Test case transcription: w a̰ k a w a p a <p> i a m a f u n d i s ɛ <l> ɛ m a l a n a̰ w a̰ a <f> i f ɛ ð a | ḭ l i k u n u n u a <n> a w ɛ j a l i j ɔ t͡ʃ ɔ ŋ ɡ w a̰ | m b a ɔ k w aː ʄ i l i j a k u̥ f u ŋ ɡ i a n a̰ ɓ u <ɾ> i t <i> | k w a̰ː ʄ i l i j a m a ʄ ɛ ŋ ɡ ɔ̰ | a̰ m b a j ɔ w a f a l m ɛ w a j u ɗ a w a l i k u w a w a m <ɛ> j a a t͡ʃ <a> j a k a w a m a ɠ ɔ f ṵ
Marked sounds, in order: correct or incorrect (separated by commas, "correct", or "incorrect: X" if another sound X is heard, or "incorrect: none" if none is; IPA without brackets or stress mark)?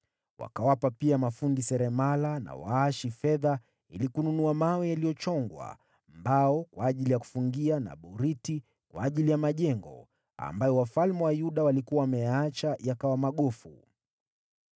correct, incorrect: ɾ, incorrect: ʃ, incorrect: m, correct, correct, correct, correct